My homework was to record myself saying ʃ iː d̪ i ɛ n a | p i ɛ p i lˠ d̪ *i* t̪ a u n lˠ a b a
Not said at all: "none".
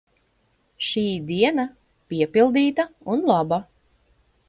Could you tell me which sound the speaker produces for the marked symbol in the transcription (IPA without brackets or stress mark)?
iː